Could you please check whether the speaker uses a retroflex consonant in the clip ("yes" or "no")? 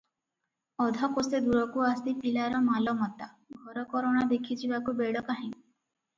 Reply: yes